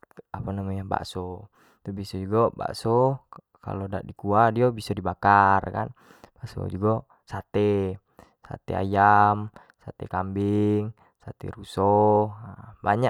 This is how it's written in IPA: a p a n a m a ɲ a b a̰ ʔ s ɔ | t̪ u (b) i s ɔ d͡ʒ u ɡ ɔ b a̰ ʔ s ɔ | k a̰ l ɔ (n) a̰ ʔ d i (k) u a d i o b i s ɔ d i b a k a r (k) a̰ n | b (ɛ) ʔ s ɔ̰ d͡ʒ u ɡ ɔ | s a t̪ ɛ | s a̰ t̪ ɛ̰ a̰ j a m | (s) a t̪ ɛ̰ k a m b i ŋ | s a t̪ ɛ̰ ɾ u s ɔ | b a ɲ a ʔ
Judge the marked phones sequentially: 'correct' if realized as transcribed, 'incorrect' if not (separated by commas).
correct, incorrect, correct, correct, incorrect, correct